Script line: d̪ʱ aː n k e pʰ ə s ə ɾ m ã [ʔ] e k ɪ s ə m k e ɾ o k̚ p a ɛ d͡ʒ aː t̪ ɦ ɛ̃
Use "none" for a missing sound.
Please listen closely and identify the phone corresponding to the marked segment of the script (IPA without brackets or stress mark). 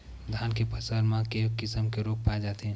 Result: k